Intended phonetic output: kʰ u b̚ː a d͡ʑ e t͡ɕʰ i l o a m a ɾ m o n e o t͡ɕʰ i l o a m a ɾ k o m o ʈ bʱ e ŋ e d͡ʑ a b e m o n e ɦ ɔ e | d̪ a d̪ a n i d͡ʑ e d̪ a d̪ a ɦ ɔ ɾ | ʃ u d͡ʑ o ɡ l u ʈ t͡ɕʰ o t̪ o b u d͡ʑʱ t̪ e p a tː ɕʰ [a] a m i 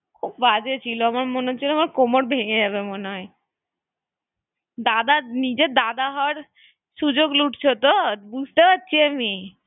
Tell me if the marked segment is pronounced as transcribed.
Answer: no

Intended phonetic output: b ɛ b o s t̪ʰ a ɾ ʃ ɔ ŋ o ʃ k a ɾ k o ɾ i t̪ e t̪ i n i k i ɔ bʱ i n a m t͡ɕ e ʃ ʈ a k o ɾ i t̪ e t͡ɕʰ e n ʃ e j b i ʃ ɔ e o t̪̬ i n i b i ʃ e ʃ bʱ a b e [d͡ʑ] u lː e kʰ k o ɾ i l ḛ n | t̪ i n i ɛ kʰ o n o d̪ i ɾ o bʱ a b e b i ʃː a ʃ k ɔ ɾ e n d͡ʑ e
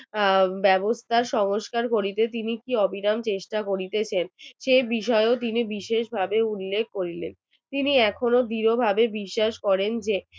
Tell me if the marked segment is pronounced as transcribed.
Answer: no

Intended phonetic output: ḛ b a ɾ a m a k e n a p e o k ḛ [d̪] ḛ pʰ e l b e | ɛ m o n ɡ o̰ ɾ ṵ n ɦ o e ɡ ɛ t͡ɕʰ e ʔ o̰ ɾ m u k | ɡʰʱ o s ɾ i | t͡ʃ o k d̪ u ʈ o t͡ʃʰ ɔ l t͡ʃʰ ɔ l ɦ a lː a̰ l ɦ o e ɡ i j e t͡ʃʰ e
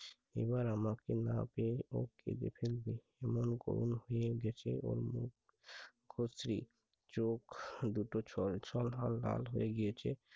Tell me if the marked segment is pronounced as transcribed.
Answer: yes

